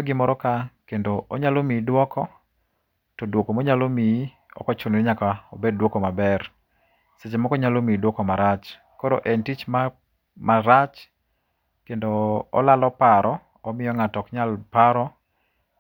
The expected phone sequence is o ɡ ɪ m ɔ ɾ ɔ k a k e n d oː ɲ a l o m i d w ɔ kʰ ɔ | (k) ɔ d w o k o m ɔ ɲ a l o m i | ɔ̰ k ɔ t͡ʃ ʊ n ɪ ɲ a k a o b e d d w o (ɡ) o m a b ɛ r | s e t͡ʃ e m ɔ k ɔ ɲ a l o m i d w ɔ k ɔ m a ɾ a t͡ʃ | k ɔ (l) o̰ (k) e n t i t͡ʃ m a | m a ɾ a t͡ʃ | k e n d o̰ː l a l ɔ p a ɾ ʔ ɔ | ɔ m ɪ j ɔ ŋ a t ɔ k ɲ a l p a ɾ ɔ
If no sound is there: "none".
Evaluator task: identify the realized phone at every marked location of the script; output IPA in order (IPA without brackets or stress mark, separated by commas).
t, k, ɾ, ʔ